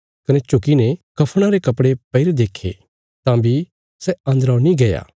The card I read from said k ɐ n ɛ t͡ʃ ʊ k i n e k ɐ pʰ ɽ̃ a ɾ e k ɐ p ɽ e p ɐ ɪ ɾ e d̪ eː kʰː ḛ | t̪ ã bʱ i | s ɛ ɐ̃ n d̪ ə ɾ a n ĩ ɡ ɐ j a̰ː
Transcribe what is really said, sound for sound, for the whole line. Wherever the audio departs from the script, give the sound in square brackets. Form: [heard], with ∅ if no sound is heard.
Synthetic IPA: k ɐ n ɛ t͡ʃ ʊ k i n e k ɐ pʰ ɽ̃ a ɾ e k ɐ p ɽ e p ɐ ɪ ɾ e d̪ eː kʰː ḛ | t̪ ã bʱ i | s ɛ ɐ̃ n d̪ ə ɾ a n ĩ ɡ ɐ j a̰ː